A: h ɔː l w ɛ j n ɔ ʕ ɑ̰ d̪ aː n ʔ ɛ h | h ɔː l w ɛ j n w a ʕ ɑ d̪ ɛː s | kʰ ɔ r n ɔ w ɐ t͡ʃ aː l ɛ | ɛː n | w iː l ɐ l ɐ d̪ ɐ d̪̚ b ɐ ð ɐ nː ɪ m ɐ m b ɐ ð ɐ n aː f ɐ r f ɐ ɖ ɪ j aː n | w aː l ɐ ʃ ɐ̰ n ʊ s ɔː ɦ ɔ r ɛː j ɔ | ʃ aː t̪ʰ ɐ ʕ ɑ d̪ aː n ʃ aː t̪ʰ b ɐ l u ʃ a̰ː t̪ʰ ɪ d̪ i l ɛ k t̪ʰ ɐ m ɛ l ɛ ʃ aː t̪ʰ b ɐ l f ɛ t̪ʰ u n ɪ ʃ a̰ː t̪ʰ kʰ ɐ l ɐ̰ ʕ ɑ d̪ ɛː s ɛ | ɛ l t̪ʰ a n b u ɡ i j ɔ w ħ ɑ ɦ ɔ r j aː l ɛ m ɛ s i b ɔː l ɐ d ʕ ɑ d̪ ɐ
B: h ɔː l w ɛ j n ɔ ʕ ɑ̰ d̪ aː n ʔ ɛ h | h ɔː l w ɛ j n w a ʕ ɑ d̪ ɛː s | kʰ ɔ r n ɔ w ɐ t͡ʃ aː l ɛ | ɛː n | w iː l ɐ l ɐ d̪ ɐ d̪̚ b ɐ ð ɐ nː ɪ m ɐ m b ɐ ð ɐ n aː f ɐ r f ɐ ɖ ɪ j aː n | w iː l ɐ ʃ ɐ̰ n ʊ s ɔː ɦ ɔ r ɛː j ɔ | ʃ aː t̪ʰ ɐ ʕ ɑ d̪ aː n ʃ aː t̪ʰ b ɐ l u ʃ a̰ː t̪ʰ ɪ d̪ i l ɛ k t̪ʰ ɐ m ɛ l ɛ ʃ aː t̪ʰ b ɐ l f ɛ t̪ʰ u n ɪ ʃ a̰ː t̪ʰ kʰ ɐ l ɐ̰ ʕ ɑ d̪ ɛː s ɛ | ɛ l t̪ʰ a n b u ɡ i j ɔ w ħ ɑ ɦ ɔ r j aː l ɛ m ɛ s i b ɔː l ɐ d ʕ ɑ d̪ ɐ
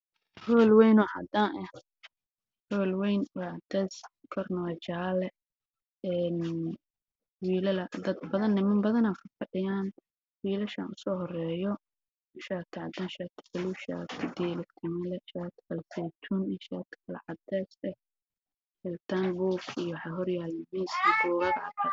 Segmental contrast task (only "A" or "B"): B